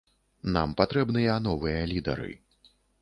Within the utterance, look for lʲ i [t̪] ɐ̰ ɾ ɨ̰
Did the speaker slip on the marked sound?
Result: yes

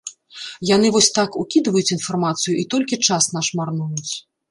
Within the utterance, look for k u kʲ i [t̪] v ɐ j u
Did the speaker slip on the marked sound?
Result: yes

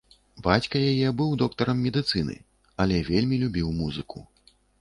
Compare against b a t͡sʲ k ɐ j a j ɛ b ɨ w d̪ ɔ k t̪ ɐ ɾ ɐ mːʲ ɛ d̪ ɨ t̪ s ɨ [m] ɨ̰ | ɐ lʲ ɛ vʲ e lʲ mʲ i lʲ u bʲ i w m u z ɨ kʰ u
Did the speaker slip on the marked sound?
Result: yes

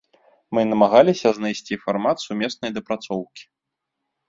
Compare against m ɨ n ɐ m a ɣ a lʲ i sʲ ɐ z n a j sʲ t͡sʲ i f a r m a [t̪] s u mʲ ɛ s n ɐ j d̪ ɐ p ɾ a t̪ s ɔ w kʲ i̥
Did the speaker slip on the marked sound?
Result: no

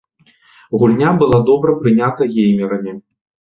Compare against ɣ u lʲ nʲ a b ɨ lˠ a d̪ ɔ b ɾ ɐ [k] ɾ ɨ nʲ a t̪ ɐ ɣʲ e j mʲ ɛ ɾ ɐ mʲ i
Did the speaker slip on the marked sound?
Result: yes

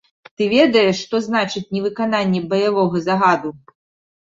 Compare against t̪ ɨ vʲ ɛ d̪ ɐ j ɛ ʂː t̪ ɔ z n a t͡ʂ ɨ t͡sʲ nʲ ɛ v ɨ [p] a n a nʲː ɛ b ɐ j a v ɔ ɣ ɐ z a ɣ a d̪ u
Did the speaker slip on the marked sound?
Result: yes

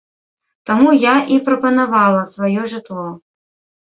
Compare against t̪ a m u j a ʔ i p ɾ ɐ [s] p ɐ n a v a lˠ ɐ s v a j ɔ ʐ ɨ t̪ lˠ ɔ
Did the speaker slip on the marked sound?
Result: yes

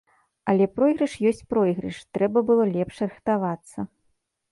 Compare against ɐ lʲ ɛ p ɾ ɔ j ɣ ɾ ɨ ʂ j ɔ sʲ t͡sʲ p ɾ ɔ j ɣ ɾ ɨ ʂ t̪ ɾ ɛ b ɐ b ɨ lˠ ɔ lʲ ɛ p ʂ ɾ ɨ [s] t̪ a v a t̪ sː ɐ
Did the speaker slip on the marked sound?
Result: yes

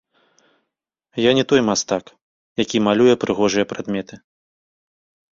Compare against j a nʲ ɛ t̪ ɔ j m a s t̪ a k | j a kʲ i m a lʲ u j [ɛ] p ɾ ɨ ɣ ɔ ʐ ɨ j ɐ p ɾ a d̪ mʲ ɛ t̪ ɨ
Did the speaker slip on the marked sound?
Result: no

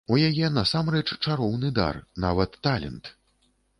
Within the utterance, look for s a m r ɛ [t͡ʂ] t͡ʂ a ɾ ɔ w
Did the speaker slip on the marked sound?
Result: no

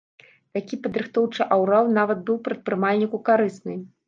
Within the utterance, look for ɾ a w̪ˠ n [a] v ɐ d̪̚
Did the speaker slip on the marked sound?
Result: no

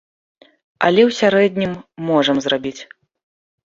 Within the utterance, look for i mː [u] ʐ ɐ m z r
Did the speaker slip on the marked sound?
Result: yes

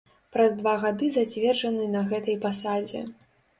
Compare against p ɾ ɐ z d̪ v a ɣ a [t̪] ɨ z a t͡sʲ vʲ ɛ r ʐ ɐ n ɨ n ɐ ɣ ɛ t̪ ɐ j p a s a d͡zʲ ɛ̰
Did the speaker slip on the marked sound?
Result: yes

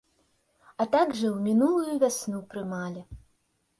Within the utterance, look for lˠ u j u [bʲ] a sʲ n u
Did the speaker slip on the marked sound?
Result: yes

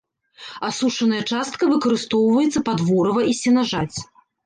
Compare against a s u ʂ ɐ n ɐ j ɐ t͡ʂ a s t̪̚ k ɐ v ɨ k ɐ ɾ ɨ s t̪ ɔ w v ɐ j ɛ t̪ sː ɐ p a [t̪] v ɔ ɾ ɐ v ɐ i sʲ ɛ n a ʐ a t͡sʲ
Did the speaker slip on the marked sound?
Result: yes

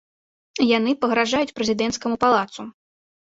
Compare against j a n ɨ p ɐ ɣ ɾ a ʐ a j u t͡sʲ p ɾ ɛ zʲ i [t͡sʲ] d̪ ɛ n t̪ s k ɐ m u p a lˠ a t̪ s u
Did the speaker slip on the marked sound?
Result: yes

